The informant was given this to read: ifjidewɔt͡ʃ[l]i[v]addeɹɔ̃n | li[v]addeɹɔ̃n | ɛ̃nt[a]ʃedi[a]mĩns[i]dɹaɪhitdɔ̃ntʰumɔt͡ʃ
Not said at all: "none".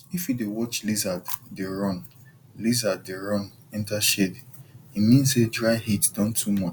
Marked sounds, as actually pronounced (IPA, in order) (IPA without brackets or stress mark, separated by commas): l, z, z, a, i, e